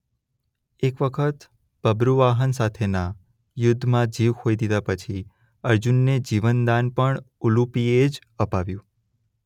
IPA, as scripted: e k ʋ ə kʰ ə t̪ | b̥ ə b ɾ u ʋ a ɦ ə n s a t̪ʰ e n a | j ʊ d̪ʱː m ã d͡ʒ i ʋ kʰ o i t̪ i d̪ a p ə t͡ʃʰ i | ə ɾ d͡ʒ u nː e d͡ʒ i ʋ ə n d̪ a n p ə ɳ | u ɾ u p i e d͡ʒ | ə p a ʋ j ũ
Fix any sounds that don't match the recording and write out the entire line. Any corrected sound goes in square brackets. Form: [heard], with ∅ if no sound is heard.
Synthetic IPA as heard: e k ʋ ə kʰ ə t̪ | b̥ ə b ɾ u ʋ a ɦ ə n s a t̪ʰ e n a | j ʊ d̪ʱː m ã d͡ʒ i ʋ kʰ o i [d̪] i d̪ a p ə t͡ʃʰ i | ə ɾ d͡ʒ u nː e d͡ʒ i ʋ ə n d̪ a n p ə ɳ | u [l] u p i e d͡ʒ | ə p a ʋ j ũ